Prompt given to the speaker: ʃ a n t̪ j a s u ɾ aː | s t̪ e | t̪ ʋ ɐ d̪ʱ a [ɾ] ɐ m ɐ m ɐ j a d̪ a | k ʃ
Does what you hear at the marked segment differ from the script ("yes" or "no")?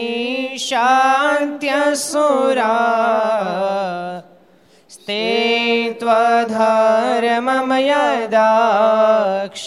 no